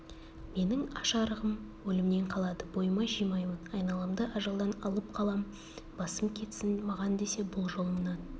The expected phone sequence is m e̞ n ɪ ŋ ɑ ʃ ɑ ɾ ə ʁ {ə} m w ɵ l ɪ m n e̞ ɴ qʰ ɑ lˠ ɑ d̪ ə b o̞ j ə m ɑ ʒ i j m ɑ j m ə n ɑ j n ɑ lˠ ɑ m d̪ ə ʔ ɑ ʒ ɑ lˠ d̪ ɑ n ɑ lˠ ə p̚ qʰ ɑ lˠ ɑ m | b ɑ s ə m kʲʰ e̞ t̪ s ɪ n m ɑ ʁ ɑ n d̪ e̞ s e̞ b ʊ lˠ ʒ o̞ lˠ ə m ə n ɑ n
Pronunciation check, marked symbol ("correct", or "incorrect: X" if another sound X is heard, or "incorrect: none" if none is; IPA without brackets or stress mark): correct